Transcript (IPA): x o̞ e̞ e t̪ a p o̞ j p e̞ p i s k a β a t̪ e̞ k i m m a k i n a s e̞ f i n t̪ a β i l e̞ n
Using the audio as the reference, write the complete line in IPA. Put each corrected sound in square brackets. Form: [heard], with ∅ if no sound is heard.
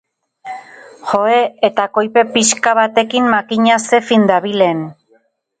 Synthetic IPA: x o̞ e̞ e t̪ a [k] o̞ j p e̞ p i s k a β a t̪ e̞ k i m m a k i [ɲ] a s e̞ f i n [d̪] a β i l e̞ n